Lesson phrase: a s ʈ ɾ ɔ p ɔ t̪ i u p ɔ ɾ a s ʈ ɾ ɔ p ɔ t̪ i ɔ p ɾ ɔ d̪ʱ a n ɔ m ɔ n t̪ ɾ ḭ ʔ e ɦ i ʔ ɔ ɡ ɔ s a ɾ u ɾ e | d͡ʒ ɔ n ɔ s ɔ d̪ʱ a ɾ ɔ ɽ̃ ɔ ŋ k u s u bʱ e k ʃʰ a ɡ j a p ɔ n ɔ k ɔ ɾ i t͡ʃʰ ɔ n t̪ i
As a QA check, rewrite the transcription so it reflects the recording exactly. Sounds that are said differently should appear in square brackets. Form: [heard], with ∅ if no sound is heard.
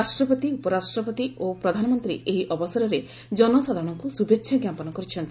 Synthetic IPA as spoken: a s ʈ ɾ ɔ p ɔ t̪ i u p ɔ ɾ a s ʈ ɾ ɔ p ɔ t̪ i [o] p ɾ ɔ d̪ʱ a n ɔ m ɔ n t̪ ɾ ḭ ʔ e ɦ i ʔ ɔ [b] ɔ s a ɾ [ɔ] ɾ e | d͡ʒ ɔ n ɔ s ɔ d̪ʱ a ɾ ɔ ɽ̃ ɔ ŋ k u s u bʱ e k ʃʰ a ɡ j a p ɔ n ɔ k ɔ ɾ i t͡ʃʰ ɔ n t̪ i